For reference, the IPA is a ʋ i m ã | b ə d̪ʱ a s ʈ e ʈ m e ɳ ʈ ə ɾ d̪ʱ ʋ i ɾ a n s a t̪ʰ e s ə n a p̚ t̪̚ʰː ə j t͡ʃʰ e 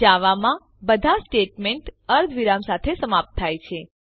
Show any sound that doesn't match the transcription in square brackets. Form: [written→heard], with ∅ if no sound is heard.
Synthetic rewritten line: a ʋ [i→a] m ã | b ə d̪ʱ a s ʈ e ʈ m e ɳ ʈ ə ɾ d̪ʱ ʋ i ɾ a [n→m] s a t̪ʰ e s ə [n→m] a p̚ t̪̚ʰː [ə→a] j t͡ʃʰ e